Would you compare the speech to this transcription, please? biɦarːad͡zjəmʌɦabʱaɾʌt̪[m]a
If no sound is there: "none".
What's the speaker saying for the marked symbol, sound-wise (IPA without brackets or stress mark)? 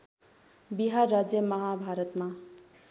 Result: m